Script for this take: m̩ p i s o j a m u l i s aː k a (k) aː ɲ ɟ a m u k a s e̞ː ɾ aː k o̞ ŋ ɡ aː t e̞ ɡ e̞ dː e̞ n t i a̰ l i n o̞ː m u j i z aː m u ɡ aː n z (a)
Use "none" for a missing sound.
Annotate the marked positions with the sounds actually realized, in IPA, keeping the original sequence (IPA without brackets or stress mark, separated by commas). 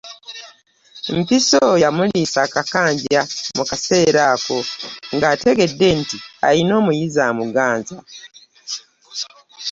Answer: k, a